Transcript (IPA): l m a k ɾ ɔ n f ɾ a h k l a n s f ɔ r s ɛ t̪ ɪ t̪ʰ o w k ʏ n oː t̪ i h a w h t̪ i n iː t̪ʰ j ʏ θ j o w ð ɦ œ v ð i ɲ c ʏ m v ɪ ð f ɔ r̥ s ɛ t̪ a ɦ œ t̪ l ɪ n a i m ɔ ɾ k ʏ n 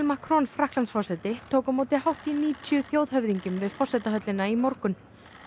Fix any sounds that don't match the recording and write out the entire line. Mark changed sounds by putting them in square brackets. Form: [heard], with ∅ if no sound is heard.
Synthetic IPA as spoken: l m a k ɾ ɔ n f ɾ a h k l a n s f ɔ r s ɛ t̪ ɪ t̪ʰ o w k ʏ [m] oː t̪ [ɪ] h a w h t̪ i n iː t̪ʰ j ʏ θ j o w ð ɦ œ v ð i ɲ c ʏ m v ɪ ð f ɔ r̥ s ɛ t̪ a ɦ œ t̪ l ɪ n a i m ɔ ɾ k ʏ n